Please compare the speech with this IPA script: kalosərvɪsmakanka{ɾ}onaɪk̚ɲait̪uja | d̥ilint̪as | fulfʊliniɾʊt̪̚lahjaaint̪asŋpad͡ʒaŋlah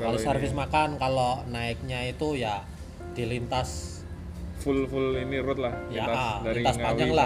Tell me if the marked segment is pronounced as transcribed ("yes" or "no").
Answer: no